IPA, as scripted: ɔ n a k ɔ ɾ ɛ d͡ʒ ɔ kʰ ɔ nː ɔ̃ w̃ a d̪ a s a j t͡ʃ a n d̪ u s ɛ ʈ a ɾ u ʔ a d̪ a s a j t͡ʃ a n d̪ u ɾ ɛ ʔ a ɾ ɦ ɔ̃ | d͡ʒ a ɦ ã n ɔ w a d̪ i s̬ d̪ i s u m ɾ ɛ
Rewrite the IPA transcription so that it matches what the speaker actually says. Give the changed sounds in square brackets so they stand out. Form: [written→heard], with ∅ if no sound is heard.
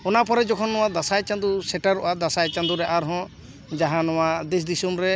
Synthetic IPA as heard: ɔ n a [k→p] ɔ ɾ ɛ d͡ʒ ɔ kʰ ɔ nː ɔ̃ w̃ a d̪ a s a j t͡ʃ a n d̪ u s ɛ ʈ a ɾ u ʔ a d̪ a s a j t͡ʃ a n d̪ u ɾ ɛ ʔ a ɾ ɦ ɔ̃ | d͡ʒ a ɦ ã n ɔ w a d̪ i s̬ d̪ i s u m ɾ ɛ

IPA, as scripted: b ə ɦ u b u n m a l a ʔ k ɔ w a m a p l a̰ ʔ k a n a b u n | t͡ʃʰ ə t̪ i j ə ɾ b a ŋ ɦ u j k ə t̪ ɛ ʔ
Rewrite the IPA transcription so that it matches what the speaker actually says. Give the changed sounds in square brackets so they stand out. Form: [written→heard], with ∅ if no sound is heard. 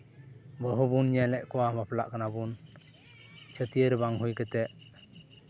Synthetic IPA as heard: b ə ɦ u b u n [m→ɲ] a l [a→ɛ] ʔ k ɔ w a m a p l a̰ ʔ k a n a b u n | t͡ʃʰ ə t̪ i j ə ɾ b a ŋ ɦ u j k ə t̪ ɛ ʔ

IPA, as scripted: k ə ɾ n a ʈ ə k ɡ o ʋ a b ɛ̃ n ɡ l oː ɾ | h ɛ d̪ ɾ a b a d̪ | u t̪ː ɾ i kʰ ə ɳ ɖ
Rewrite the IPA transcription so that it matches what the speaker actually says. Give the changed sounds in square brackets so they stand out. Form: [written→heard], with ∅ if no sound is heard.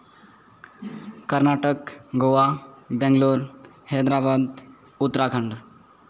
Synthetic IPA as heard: k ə ɾ n a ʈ ə k ɡ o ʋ a b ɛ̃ [n→ŋ] ɡ l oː ɾ | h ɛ d̪ ɾ a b a d̪ | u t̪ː ɾ [i→a] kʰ ə ɳ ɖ

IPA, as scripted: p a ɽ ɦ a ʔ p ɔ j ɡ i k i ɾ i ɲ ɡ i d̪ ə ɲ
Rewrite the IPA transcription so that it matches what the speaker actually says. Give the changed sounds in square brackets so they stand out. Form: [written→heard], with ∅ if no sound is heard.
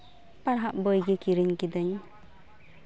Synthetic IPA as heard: p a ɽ ɦ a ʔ [p→b] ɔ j ɡ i k i ɾ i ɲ [ɡ→k] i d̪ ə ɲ

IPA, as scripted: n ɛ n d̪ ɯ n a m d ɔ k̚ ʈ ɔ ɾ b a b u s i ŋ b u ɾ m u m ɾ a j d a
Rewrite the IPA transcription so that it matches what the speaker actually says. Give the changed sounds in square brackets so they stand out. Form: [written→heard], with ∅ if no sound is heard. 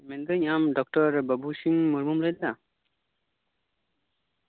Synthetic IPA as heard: [n→m] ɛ n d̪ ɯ [n→ɲ] a m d ɔ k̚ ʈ ɔ ɾ b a b u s i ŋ [b→m] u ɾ m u m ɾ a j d a

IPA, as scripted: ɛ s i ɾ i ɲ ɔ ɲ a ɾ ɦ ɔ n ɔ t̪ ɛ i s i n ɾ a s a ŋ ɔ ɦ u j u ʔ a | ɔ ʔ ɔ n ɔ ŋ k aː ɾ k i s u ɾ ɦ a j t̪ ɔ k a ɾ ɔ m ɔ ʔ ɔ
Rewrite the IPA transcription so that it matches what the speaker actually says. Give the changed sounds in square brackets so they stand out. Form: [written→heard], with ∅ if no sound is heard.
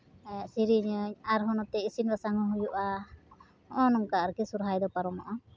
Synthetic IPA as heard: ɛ s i ɾ i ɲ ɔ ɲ a ɾ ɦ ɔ n ɔ t̪ ɛ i s i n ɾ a s a ŋ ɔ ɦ u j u ʔ a | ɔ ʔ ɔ n ɔ ŋ k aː ɾ k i s u ɾ ɦ a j [t̪→d̪] ɔ [k→p] a ɾ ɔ m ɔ ʔ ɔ

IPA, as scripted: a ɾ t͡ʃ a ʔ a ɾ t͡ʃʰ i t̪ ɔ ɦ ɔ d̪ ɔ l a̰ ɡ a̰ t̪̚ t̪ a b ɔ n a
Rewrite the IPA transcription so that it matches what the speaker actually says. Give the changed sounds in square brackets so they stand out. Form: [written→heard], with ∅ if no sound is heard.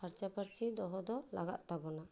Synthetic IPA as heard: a ɾ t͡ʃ a [ʔ→p] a ɾ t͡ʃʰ i [t̪→d̪] ɔ ɦ ɔ d̪ ɔ l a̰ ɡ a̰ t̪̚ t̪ a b ɔ n a

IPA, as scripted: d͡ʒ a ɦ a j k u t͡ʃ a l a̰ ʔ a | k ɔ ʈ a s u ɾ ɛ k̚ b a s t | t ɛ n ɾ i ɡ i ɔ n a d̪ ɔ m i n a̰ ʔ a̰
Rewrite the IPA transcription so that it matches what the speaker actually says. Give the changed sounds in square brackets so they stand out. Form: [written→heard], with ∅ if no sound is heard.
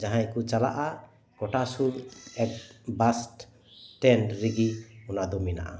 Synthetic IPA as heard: d͡ʒ a ɦ a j k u t͡ʃ a l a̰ ʔ a | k ɔ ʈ a s u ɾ ɛ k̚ b a s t | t ɛ n ɾ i ɡ i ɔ n a d̪ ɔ m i n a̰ ʔ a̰

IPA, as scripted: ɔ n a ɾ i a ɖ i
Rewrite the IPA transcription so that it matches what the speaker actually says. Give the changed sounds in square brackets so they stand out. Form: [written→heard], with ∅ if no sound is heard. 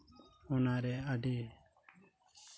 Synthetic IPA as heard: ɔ n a ɾ [i→ɛ] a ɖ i

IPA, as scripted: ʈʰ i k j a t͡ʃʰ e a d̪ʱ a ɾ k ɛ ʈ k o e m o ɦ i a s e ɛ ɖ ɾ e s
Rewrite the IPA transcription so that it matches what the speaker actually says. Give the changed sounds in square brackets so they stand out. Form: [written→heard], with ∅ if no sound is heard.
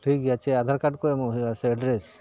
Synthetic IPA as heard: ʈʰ i k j a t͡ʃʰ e a d̪ʱ a ɾ k [ɛ→a] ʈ k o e m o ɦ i a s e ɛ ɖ ɾ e s

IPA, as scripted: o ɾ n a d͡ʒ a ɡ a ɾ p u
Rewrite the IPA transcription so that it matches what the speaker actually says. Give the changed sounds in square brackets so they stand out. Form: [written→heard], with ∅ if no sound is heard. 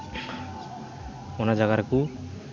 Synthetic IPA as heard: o [ɾ→∅] n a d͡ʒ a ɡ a ɾ [p→k] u

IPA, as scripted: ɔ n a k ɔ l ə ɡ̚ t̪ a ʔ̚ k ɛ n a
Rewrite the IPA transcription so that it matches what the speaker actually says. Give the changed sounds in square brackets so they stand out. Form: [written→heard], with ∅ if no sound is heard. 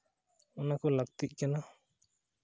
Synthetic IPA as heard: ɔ n a k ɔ l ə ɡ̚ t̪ [a→i] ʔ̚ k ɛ n a

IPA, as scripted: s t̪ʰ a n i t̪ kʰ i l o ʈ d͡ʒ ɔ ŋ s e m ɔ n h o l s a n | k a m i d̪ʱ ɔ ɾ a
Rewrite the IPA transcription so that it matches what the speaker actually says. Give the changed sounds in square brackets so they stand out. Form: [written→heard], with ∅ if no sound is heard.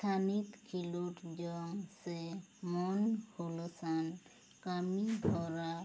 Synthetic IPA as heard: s t̪ʰ a n i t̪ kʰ i l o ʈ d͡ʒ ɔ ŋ s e m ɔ n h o l s a n | k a m i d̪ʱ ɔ ɾ a

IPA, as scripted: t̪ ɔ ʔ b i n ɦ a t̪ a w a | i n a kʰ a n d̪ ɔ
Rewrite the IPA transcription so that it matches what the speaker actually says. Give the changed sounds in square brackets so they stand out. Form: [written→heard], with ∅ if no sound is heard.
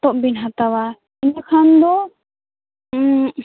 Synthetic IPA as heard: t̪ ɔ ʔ b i n ɦ a t̪ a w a | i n a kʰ a n d̪ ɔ

